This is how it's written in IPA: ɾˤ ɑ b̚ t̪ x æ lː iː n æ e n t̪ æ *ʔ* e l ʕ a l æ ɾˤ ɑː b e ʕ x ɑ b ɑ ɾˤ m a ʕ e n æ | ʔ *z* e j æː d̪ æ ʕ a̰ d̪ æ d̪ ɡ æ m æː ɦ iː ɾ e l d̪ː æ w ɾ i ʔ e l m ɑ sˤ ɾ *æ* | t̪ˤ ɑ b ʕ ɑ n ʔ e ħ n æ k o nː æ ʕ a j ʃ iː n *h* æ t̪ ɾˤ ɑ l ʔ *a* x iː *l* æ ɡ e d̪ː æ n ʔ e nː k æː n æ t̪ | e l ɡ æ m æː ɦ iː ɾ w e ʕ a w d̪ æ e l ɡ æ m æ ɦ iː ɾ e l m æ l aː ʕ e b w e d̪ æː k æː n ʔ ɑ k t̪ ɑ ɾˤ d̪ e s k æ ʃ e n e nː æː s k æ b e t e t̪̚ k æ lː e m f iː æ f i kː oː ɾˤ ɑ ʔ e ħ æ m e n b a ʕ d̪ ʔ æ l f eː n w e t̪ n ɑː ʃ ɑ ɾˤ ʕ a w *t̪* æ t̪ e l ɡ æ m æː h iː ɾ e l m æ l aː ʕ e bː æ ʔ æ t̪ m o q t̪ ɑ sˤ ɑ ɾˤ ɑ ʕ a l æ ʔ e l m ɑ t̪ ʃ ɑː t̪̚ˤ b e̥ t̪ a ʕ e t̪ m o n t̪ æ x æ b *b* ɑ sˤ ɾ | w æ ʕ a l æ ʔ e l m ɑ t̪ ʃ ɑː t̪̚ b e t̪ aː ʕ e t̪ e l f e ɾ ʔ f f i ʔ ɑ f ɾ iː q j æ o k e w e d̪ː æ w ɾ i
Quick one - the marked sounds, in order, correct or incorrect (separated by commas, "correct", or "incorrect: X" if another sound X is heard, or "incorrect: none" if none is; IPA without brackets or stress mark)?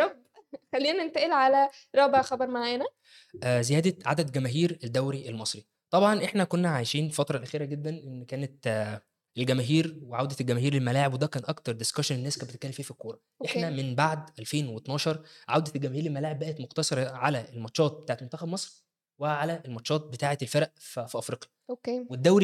correct, correct, incorrect: i, incorrect: f, incorrect: æ, incorrect: ɾ, incorrect: d̪, incorrect: m